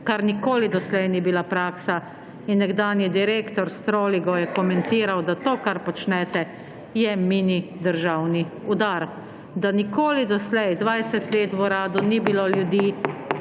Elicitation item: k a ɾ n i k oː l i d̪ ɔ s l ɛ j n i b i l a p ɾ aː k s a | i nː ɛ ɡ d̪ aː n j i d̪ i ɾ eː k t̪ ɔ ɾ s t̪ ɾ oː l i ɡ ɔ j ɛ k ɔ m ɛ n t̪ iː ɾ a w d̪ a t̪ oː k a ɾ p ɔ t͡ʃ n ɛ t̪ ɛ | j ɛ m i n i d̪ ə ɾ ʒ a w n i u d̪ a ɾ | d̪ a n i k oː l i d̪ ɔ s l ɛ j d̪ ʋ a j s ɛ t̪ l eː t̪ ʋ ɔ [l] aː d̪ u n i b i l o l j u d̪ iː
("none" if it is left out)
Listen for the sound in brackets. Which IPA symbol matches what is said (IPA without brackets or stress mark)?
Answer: ɾ